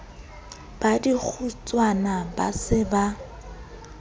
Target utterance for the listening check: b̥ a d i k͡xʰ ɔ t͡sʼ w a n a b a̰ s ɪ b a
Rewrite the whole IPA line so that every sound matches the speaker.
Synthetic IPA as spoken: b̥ a d i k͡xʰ u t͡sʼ w a n a b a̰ s ɪ b a